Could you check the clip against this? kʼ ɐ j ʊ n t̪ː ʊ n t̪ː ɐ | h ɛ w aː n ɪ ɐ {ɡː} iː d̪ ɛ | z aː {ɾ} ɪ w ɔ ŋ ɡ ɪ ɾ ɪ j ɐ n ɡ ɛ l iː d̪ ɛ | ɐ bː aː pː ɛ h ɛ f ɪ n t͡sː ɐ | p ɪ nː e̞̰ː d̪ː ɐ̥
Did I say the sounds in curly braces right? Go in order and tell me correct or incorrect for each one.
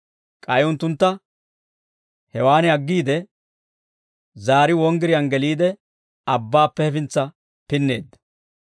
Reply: correct, correct

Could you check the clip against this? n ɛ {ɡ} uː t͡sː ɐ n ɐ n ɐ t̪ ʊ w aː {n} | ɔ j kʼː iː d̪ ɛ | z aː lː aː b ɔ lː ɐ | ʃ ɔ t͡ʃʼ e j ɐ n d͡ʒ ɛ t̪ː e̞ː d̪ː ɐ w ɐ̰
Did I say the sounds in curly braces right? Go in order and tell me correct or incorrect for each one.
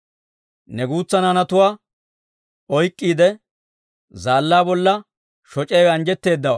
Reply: correct, incorrect

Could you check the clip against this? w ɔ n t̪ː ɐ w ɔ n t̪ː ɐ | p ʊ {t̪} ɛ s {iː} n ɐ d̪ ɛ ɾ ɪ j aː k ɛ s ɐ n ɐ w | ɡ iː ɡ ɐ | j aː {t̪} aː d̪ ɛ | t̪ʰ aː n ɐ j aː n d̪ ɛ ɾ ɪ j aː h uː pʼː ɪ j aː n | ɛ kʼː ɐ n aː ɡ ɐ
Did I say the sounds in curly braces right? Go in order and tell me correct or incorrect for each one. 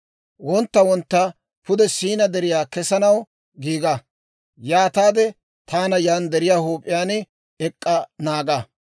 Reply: incorrect, correct, correct

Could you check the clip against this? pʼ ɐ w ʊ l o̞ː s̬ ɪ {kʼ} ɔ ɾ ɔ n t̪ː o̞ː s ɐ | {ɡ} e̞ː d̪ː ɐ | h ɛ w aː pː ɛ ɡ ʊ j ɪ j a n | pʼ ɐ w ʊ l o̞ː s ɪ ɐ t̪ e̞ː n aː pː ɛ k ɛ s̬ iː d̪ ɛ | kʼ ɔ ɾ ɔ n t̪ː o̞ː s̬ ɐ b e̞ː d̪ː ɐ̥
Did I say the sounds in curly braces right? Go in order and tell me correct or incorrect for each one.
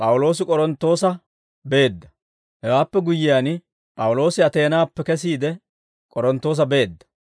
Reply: correct, incorrect

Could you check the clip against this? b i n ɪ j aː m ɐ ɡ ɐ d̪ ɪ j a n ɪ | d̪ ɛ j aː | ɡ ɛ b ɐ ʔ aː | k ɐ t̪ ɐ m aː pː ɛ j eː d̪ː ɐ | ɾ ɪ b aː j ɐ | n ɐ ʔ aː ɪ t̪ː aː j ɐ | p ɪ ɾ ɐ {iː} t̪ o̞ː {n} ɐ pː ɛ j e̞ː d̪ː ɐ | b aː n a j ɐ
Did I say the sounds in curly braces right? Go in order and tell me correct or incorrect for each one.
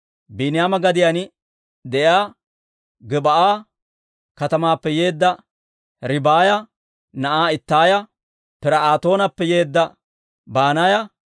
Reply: incorrect, correct

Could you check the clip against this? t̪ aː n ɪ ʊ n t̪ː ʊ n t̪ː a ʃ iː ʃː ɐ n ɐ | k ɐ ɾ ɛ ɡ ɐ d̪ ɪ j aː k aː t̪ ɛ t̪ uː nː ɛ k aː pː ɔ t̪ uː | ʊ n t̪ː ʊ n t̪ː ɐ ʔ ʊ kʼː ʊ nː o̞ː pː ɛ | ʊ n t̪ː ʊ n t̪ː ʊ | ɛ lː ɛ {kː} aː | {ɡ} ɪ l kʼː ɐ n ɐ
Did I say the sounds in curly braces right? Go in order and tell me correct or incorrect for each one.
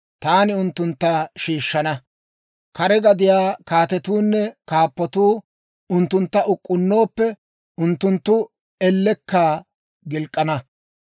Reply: correct, correct

